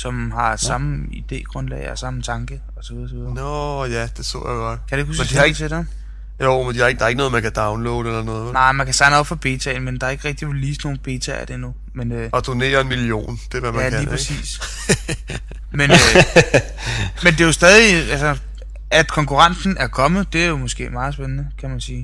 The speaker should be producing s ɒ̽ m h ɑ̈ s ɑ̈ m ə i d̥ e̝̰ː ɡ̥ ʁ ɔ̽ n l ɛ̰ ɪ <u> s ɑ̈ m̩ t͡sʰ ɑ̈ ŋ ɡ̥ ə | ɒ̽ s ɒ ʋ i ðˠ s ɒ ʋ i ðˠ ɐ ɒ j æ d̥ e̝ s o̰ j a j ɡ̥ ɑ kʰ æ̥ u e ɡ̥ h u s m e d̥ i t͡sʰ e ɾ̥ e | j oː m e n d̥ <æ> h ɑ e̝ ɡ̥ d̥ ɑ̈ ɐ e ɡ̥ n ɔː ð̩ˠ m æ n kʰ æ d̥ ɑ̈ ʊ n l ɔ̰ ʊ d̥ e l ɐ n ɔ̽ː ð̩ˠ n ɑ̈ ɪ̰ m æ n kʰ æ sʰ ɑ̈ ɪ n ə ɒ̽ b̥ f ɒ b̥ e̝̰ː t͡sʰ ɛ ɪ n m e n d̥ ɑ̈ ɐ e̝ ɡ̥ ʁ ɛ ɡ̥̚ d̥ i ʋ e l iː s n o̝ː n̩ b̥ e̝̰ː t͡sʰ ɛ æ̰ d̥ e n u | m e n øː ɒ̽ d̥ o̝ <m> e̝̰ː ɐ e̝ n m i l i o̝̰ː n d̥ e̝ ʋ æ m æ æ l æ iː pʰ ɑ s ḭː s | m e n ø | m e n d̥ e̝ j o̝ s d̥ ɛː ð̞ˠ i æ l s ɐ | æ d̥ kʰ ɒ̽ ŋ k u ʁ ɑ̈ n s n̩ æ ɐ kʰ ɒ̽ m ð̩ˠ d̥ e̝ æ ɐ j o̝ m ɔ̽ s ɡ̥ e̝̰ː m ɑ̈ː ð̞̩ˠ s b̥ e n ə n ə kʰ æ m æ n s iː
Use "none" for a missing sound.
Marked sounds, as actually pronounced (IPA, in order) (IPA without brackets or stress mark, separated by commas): ɒ, i, n